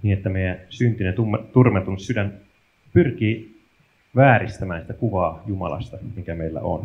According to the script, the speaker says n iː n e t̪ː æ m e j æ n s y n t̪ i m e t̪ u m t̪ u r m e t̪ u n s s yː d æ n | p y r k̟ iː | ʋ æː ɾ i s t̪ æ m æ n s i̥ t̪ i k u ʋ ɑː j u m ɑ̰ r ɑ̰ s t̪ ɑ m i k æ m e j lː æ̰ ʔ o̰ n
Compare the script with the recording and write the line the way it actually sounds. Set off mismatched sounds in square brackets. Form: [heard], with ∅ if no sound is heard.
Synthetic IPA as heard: n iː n e t̪ː æ m e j æ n s y n t̪ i [n] e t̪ u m t̪ u r m e t̪ u n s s [y] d æ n | p y r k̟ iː | ʋ æː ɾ i s t̪ æ m [æː] n s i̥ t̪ [æ] k u ʋ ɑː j u m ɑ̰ [l] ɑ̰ s t̪ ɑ m i k æ m e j lː æ̰ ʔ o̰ n